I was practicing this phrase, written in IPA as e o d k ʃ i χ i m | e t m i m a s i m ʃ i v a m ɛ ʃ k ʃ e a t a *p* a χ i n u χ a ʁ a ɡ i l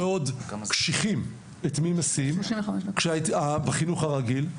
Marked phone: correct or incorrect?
incorrect